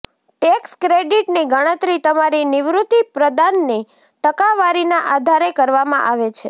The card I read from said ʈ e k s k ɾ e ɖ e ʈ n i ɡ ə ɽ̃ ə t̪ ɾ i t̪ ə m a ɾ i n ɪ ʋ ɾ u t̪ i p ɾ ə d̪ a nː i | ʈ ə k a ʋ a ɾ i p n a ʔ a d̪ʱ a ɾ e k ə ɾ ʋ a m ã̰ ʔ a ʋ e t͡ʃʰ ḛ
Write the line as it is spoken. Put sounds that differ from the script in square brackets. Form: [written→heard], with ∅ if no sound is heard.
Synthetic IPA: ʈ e k s k ɾ e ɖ [e→i] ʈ n i ɡ ə ɽ̃ ə t̪ ɾ i t̪ ə m a ɾ i n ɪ ʋ ɾ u t̪ i p ɾ ə d̪ a nː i | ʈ ə k a ʋ a ɾ i [p→∅] n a ʔ a d̪ʱ a ɾ e k ə ɾ ʋ a m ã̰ ʔ a ʋ e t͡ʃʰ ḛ